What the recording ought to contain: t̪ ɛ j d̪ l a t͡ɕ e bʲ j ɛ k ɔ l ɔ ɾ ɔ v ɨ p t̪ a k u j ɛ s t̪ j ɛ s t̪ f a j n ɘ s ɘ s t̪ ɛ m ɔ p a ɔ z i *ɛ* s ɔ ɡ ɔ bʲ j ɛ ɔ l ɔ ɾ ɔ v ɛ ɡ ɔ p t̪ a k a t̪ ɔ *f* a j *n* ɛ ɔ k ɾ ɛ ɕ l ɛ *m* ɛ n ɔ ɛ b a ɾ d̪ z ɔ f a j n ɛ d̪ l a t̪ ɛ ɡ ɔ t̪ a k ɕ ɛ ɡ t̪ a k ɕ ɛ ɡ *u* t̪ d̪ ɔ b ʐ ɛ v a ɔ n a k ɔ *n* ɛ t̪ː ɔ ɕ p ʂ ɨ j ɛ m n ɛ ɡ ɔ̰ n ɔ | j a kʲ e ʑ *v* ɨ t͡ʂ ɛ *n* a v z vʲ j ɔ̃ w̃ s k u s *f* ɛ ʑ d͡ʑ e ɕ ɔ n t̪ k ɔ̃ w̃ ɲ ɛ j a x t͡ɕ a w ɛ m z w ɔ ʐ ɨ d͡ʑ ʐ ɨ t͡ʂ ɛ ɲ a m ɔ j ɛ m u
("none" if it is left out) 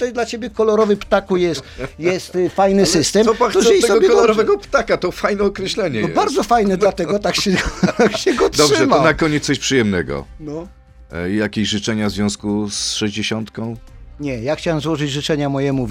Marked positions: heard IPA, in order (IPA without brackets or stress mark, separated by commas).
ɛ, f, n, ɲ, ɔ, ɲ, ʐ, ɲ, ʂ